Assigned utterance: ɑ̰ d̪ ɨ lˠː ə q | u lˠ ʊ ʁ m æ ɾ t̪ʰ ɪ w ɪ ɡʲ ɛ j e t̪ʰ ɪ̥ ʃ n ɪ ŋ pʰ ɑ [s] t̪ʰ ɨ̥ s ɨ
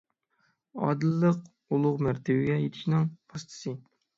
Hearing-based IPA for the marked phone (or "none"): s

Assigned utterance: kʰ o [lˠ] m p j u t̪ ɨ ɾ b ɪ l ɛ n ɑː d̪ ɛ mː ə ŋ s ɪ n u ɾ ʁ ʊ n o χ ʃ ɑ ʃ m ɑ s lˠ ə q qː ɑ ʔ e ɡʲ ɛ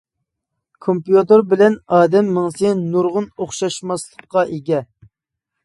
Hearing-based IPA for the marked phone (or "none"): none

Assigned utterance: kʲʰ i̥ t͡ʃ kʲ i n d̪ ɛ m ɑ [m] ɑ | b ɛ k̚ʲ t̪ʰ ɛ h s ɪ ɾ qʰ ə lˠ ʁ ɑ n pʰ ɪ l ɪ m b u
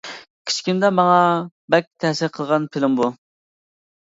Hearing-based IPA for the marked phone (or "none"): ŋ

